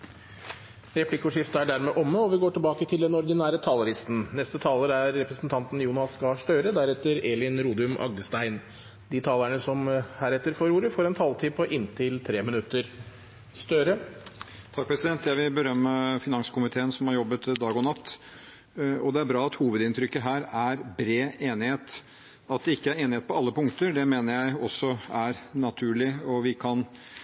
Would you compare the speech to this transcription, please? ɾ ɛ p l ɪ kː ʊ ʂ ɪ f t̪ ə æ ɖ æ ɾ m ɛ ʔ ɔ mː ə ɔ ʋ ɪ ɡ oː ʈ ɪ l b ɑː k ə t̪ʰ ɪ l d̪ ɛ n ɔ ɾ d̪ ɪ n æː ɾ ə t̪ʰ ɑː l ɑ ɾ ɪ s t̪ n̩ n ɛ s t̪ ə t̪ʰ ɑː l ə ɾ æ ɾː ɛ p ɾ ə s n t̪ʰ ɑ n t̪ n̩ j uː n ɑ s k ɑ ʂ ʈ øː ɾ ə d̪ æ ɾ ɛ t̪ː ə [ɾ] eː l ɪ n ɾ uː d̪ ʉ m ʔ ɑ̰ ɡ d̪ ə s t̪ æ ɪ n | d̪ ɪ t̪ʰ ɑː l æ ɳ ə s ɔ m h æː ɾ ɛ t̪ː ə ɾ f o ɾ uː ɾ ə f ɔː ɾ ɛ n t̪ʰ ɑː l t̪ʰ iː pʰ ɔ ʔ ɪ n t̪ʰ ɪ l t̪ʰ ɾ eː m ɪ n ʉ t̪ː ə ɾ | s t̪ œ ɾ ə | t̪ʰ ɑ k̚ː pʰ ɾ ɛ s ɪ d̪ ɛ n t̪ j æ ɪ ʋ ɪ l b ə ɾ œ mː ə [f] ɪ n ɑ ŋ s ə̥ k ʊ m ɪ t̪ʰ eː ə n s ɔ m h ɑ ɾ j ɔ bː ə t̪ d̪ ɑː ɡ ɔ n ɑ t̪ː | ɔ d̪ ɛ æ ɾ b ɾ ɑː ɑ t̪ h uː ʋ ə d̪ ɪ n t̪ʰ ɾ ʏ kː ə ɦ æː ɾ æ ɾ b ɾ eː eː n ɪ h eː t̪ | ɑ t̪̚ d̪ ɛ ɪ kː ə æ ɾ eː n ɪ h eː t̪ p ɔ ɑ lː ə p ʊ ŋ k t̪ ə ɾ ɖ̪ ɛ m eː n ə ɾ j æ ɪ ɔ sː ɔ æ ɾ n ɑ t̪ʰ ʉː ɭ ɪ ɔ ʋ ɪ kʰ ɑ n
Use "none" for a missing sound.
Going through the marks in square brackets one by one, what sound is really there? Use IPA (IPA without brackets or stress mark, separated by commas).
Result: ɾ, f